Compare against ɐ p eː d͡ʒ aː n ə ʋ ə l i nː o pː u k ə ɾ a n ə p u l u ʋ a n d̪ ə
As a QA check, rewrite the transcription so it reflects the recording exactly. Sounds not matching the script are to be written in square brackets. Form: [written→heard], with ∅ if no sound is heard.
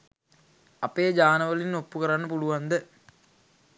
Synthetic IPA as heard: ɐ p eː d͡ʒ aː n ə ʋ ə l i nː o pː u k ə ɾ a [n→nː] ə p u l u ʋ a n d̪ ə